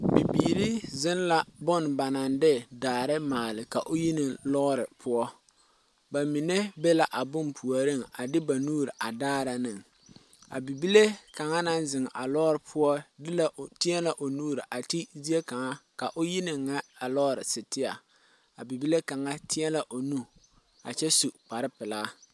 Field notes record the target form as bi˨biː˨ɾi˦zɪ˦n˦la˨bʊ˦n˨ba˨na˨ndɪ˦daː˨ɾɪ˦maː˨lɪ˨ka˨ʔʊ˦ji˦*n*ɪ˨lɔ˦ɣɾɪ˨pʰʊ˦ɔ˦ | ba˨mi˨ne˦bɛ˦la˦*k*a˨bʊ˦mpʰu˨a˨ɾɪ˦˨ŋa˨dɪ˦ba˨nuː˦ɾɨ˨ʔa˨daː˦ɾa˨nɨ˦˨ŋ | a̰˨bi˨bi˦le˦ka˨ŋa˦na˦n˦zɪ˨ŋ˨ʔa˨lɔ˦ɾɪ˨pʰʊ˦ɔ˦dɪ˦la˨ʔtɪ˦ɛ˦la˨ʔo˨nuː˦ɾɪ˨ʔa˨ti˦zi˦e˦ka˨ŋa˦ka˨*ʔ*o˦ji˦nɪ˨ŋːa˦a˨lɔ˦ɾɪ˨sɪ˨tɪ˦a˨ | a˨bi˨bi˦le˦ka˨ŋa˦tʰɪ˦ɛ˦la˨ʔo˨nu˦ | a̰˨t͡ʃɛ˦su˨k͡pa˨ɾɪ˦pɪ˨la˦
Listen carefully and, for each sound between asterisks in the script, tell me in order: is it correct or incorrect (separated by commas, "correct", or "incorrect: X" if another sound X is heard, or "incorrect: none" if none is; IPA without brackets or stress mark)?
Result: correct, incorrect: ʔ, correct